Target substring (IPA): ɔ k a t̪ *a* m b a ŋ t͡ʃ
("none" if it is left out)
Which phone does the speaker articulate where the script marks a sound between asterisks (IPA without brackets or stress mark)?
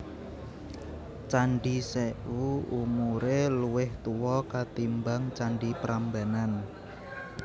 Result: i